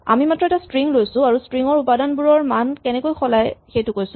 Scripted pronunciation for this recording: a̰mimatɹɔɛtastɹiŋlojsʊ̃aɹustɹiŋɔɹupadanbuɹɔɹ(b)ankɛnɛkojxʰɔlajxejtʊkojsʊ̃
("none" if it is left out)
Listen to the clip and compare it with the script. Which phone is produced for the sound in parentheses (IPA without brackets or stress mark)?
m